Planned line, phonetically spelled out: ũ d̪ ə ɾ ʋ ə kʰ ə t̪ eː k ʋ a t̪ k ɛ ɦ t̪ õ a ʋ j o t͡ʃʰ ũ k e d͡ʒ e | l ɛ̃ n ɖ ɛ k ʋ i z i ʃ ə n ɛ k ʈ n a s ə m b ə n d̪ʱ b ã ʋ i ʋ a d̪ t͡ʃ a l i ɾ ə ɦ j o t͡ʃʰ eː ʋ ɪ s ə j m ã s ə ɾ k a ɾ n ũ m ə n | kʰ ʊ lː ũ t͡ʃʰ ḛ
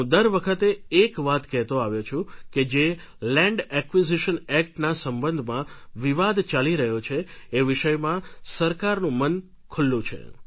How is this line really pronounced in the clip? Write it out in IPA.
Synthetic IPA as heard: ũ d̪ ə ɾ ʋ ə kʰ ə t̪ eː k ʋ a t̪ k ɛ ɦ t̪ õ a ʋ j o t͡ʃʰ ũ k e d͡ʒ e | l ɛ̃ ɳ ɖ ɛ k ʋ i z i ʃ ə n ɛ k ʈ n a s ə m b ə n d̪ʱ m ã ʋ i ʋ a d̪ t͡ʃ a l i ɾ ə ɦ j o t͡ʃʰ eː ʋ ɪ ʃ ə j m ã s ə ɾ k a ɾ n ũ m ə n | kʰ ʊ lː ũ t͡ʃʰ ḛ